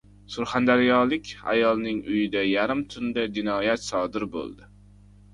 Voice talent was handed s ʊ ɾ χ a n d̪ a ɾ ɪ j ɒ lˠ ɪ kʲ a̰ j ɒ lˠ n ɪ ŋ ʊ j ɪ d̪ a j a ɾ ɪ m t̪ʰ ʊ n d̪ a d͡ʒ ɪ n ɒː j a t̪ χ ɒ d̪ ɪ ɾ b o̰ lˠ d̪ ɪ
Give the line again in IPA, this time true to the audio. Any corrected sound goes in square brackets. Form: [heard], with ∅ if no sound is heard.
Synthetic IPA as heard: s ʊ ɾ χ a n d̪ a ɾ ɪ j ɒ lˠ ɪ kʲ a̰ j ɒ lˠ n ɪ ŋ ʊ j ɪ d̪ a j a ɾ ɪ m t̪ʰ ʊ n d̪ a d͡ʒ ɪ n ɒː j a t̪ [s] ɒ d̪ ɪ ɾ b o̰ lˠ d̪ ɪ